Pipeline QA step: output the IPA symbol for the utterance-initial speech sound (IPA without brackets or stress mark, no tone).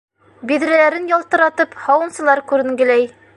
b